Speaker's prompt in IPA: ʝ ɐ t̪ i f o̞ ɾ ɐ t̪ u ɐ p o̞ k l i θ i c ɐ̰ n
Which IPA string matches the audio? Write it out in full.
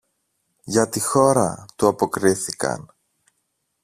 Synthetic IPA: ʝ ɐ t̪ i x o̞ ɾ ɐ t̪ u ɐ p o̞ k ɾ i θ i k ɐ̰ n

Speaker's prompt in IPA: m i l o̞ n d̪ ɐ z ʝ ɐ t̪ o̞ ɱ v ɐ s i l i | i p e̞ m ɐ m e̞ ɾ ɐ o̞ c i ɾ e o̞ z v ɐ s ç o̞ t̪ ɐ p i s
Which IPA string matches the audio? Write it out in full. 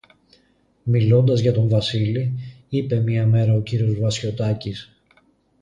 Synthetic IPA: m i l o̞ n d̪ ɐ z ʝ ɐ t̪ o̞ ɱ v ɐ s i l i | i p e̞ m ɐ m e̞ ɾ ɐ o̞ c i ɾ i o̞ z v ɐ s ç o̞ t̪ ɐ c i s

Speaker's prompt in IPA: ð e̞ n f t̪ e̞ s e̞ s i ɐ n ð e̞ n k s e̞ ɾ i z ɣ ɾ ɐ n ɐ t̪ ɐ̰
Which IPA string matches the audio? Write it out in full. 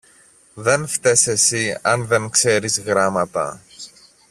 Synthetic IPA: ð e̞ n f t̪ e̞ s e̞ s i ɐ n ð e̞ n k s e̞ ɾ i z ɣ ɾ ɐ m ɐ t̪ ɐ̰

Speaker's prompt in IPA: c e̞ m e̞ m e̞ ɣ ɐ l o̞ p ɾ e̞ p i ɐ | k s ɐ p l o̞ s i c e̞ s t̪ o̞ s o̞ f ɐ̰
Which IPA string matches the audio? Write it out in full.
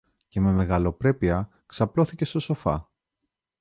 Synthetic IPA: c e̞ m e̞ m e̞ ɣ ɐ l o̞ p ɾ e̞ p i ɐ | k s ɐ p l o̞ θ i c e̞ s t̪ o̞ s o̞ f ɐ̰

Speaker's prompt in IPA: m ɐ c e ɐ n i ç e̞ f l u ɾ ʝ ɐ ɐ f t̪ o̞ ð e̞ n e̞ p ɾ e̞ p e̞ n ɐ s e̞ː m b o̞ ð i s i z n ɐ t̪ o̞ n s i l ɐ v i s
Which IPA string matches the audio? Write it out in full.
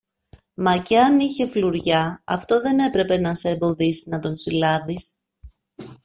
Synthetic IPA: m ɐ c e ɐ n i ç e̞ f l u ɾ ʝ ɐ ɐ f t̪ o̞ ð e̞ n e̞ p ɾ e̞ p e̞ n ɐ s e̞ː m b o̞ ð i s i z n ɐ t̪ o̞ n s i l ɐ v i s

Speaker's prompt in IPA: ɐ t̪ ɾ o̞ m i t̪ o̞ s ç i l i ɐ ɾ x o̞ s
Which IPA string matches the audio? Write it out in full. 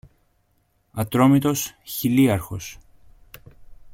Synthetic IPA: ɐ t̪ ɾ o̞ m i t̪ o̞ s ç i l i ɐ ɾ x o̞ s

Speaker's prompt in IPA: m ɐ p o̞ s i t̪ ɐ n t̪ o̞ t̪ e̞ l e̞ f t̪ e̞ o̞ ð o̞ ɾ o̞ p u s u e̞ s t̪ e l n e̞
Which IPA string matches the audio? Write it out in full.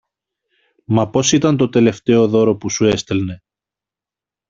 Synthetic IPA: m ɐ p o̞ s i t̪ ɐ n t̪ o̞ t̪ e̞ l e̞ f t̪ e̞ o̞ ð o̞ ɾ o̞ p u s u e̞ s t̪ e l n e̞

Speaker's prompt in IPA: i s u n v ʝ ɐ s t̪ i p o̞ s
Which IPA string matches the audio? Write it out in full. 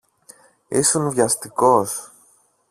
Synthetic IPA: i s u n v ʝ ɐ s t̪ i k o̞ s

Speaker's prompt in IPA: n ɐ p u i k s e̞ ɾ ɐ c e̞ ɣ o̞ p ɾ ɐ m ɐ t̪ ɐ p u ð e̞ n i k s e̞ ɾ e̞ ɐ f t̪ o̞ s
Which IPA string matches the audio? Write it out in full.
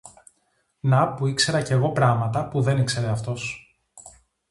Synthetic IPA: n ɐ p u i k s e̞ ɾ ɐ c e̞ ɣ o̞ p ɾ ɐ m ɐ t̪ ɐ p u ð e̞ n i k s e̞ ɾ e̞ ɐ f t̪ o̞ s

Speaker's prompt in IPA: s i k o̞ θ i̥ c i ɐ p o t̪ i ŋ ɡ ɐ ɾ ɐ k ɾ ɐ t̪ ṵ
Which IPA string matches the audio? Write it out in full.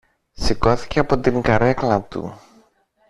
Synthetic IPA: s i k o̞ θ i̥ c e ɐ p o t̪ i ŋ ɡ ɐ ɾ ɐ k l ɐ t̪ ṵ

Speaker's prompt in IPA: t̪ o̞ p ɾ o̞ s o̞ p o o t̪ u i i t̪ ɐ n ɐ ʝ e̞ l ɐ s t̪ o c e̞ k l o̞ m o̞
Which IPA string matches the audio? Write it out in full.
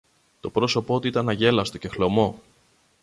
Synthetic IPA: t̪ o̞ p ɾ o̞ s o̞ p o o t̪ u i i t̪ ɐ n ɐ ʝ e̞ l ɐ s t̪ o c e̞ x l o̞ m o̞

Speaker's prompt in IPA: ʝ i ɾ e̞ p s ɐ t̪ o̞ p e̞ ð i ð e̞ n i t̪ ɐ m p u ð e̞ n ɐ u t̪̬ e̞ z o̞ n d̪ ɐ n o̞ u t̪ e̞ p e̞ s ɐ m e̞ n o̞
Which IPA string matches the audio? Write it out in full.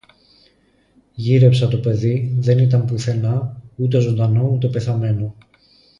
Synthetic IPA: ʝ i ɾ e̞ p s ɐ t̪ o̞ p e̞ ð i ð e̞ n i t̪ ɐ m p u θ e̞ n ɐ u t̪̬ e̞ z o̞ n d̪ ɐ n o̞ u t̪ e̞ p e̞ θ ɐ m e̞ n o̞

